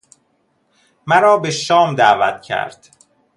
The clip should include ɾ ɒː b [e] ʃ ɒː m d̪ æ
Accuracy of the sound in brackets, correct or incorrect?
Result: correct